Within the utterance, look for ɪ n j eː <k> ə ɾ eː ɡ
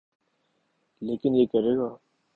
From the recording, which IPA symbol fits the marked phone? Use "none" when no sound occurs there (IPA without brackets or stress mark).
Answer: k